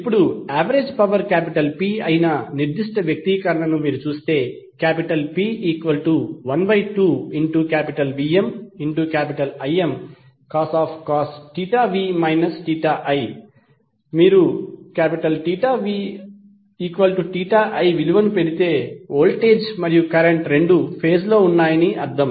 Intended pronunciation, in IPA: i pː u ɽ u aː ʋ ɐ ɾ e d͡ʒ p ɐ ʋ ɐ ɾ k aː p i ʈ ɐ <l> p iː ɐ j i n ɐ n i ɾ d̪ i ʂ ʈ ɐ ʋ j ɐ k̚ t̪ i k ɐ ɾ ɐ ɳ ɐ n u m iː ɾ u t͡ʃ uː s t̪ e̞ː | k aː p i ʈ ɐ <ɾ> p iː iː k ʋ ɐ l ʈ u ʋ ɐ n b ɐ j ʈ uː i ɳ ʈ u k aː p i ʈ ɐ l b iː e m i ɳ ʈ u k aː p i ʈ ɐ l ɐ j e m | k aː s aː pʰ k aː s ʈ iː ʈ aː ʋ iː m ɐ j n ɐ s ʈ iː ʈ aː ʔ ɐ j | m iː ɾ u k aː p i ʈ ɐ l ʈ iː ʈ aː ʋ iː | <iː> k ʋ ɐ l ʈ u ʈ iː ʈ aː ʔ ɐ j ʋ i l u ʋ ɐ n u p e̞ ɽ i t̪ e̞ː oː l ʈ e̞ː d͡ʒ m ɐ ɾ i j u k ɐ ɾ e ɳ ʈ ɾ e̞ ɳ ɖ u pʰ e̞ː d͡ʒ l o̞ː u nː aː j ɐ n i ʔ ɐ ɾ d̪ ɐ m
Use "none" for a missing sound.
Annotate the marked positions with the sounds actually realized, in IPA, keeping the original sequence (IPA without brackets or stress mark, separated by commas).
l, l, iː